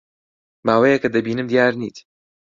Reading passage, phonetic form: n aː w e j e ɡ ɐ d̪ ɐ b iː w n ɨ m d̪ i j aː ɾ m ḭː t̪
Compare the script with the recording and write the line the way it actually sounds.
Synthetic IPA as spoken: m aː w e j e k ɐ d̪ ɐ b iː n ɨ m d̪ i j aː ɾ n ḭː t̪

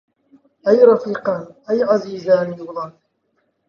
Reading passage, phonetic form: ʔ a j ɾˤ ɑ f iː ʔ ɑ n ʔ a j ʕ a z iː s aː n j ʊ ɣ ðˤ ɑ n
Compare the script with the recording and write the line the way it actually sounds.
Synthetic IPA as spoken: ʔ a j ɾˤ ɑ f iː q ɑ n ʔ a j ʕ a z iː z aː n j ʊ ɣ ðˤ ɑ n

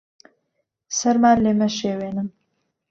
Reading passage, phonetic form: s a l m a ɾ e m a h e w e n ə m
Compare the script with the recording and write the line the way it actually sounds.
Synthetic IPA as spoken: s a ɾ m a l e m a ʃ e w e n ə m

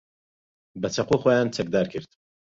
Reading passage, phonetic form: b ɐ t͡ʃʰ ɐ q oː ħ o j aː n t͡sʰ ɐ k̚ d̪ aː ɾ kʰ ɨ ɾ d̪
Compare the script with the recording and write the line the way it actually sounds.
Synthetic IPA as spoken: b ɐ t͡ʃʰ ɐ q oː x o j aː n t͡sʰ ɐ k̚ d̪ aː ɾ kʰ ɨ ɾ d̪

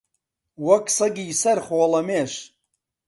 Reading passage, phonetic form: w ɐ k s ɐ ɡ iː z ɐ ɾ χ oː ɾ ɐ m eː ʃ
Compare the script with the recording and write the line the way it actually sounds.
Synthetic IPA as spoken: w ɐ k s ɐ ɡ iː s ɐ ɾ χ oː l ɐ m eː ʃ

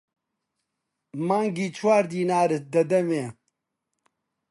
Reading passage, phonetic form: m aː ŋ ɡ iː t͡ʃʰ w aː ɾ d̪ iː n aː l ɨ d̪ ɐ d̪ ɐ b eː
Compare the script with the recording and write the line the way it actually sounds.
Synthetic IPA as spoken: m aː ŋ ɡ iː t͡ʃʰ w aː ɾ d̪ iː n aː ɾ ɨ d̪ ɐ d̪ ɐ m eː

